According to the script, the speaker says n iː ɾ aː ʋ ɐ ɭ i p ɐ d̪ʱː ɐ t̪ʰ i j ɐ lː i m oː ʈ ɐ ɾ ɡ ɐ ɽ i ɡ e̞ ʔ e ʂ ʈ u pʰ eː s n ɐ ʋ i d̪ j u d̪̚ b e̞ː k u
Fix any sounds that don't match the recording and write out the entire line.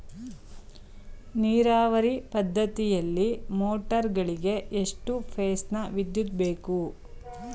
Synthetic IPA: n iː ɾ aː ʋ ɐ ɾ i p ɐ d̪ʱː ɐ t̪ i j ɐ lː i m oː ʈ ɐ ɾ ɡ ɐ ɭ i ɡ e̞ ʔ e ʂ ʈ u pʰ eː s n ɐ ʋ i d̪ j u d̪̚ b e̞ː k u

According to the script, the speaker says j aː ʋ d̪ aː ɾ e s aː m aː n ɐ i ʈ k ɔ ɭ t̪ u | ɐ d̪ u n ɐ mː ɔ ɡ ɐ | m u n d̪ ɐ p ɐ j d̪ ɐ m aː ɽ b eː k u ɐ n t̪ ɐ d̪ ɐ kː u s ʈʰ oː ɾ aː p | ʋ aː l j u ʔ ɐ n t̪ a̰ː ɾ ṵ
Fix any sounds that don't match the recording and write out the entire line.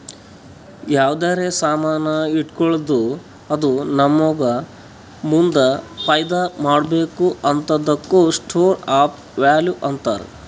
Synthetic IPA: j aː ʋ d̪ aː ɾ e s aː m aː n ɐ i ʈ k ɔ ɭ d̪ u | ɐ d̪ u n ɐ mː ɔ ɡ ɐ | m u n d̪ ɐ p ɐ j d̪ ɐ m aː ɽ b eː k u ɐ n t̪ ɐ d̪ ɐ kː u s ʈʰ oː ɾ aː p | ʋ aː l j u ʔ ɐ n t̪ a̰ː ɾ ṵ

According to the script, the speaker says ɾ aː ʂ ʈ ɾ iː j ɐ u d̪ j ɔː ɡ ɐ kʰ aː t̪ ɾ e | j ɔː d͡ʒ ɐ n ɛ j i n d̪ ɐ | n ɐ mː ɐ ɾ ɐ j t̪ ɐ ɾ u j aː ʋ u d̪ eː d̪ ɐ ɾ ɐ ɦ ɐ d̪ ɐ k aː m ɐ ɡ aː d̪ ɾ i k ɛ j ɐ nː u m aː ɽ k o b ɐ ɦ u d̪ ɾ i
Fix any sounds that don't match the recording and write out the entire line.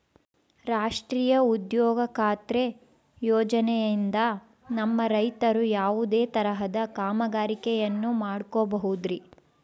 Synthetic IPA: ɾ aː ʂ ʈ ɾ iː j ɐ u d̪ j ɔː ɡ ɐ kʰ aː t̪ ɾ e | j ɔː d͡ʒ ɐ n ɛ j i n d̪ ɐ | n ɐ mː ɐ ɾ ɐ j t̪ ɐ ɾ u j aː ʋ u d̪ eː t̪ ɐ ɾ ɐ ɦ ɐ d̪ ɐ k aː m ɐ ɡ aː ɾ i k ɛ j ɐ nː u m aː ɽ k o b ɐ ɦ u d̪ ɾ i

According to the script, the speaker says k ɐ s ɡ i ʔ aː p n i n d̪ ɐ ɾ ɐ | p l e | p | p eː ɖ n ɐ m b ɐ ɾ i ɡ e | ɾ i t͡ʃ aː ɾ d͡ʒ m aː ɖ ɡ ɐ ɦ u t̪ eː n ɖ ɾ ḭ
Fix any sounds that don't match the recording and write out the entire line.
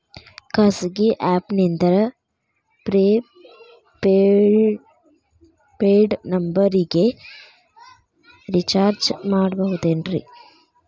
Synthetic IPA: k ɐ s ɡ i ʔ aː p n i n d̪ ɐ ɾ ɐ | p ɾ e | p | p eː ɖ n ɐ m b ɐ ɾ i ɡ e | ɾ i t͡ʃ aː ɾ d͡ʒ m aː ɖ b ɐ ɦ u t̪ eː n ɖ ɾ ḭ

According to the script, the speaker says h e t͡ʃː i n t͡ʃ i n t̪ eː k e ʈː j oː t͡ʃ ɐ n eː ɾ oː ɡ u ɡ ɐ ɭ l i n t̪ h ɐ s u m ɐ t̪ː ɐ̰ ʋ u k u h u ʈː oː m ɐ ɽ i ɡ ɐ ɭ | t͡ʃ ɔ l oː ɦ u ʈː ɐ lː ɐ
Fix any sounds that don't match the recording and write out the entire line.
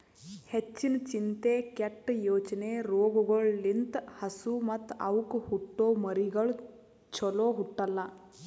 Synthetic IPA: h e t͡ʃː i n t͡ʃ i n t̪ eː k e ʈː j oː t͡ʃ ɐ n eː ɾ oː ɡ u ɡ ɐ ɭ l i n t̪ h ɐ s u m ɐ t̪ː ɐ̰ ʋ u k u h u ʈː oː m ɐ ɾ i ɡ ɐ ɭ | t͡ʃ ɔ l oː ɦ u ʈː ɐ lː ɐ

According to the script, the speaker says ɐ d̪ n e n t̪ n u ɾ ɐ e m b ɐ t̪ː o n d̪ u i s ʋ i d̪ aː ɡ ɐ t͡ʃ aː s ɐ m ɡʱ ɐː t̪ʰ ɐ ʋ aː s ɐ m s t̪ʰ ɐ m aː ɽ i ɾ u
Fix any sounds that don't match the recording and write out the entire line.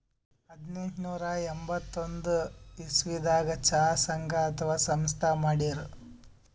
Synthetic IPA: ɐ d̪ n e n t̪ n uː ɾ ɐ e m b ɐ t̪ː o n d̪ u i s ʋ i d̪ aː ɡ ɐ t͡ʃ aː s ɐ ŋ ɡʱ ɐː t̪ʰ ɐ ʋ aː s ɐ m s t̪ʰ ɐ m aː ɽ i ɾ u

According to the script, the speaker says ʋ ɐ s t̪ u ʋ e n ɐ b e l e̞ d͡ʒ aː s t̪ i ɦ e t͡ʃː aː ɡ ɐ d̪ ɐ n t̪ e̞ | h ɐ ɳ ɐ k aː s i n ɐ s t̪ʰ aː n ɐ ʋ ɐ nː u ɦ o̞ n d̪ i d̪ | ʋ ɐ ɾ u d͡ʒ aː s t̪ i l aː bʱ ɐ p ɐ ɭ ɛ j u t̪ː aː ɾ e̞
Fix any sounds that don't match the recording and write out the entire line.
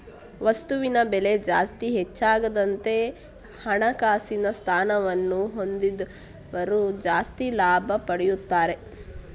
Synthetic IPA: ʋ ɐ s t̪ u ʋ i n ɐ b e l e̞ d͡ʒ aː s t̪ i ɦ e t͡ʃː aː ɡ ɐ d̪ ɐ n t̪ e̞ | h ɐ ɳ ɐ k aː s i n ɐ s t̪ʰ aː n ɐ ʋ ɐ nː u ɦ o̞ n d̪ i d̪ | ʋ ɐ ɾ u d͡ʒ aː s t̪ i l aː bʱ ɐ p ɐ ɽ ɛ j u t̪ː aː ɾ e̞

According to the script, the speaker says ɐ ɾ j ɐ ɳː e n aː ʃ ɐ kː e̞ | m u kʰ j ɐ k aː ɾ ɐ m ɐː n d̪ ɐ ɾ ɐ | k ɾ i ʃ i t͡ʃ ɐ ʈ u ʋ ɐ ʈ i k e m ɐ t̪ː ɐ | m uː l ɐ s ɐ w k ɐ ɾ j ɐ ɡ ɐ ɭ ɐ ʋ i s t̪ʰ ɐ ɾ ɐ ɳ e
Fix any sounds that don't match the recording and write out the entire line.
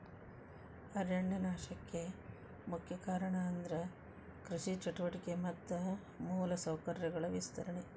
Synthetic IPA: ɐ ɾ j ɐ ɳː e n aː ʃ ɐ kː e̞ | m u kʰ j ɐ k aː ɾ ɐ ɳ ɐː n d̪ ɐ ɾ ɐ | k ɾ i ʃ i t͡ʃ ɐ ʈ u ʋ ɐ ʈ i k e m ɐ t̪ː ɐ | m uː l ɐ s ɐ w k ɐ ɾ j ɐ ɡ ɐ ɭ ɐ ʋ i s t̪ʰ ɐ ɾ ɐ ɳ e

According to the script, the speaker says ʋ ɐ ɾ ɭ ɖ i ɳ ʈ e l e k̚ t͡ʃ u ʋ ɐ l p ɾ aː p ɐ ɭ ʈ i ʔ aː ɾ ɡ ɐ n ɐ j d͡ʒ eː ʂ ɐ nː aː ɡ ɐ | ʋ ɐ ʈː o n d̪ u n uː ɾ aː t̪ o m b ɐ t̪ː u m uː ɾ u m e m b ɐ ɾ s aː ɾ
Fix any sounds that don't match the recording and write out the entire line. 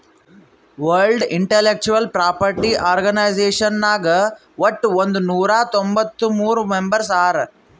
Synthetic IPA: ʋ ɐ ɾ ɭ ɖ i ɳ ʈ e l e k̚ t͡ʃ u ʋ ɐ l p ɾ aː p ɐ ɾ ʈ i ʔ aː ɾ ɡ ɐ n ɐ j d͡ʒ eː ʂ ɐ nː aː ɡ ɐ | ʋ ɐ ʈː o n d̪ u n uː ɾ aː t̪ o m b ɐ t̪ː u m uː ɾ u m e m b ɐ ɾ s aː ɾ

